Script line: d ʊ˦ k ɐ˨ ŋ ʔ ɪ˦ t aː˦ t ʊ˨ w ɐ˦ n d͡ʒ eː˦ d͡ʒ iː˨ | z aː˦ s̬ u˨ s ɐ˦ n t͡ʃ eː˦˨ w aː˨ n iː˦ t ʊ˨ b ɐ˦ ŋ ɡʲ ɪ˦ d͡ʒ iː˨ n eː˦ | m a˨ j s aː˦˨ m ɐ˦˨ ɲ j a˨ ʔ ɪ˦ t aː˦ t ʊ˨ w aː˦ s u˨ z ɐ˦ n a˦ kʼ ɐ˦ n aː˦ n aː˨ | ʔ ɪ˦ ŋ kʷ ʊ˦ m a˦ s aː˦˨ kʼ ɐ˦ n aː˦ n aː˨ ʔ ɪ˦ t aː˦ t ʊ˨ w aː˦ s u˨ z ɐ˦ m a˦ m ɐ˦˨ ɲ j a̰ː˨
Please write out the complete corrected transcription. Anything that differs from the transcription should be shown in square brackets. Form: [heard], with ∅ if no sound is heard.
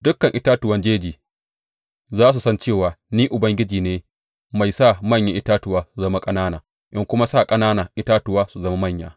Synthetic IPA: d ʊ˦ k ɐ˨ ŋ ʔ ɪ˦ t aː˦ t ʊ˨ w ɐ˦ n d͡ʒ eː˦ d͡ʒ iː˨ | z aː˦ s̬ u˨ s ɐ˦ n t͡ʃ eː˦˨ w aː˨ n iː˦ [ʔ] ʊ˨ b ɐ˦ ŋ ɡʲ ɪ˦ d͡ʒ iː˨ n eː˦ | m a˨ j s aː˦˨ m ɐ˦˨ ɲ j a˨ ʔ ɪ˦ t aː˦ t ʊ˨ w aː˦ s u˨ z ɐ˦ [m] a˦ kʼ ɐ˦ n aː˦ n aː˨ | ʔ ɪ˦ ŋ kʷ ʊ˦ m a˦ s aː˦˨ kʼ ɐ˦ n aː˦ n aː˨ ʔ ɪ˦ t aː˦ t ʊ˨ w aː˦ s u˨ z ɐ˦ m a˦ m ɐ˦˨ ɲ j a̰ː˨